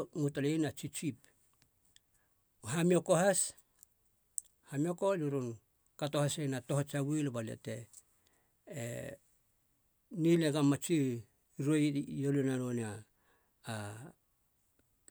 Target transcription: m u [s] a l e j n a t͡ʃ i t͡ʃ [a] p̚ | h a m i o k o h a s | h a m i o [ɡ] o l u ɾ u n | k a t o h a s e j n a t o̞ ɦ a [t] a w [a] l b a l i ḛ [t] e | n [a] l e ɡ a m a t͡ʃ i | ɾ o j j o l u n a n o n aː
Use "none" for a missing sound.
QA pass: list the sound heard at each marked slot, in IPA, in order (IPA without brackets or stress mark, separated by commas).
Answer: t, i, k, t͡ʃ, i, t, i